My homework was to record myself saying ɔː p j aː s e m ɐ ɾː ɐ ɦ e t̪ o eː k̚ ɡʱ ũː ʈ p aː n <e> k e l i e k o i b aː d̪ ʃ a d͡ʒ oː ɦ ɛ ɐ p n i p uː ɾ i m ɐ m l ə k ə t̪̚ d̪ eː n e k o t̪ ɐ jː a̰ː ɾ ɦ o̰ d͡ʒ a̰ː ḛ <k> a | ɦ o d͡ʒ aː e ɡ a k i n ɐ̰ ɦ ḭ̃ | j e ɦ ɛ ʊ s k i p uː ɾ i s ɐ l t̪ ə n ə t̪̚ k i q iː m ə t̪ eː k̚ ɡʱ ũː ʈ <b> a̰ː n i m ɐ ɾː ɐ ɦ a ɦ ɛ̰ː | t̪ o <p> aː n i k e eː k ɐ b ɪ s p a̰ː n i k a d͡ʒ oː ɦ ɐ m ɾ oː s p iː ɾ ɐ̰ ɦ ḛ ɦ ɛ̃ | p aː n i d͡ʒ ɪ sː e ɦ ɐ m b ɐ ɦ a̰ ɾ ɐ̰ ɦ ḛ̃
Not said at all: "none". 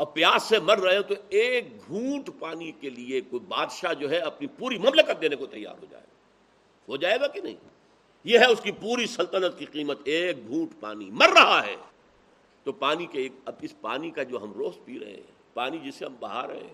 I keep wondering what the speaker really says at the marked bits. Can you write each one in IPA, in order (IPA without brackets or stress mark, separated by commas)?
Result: i, ɡ, p, p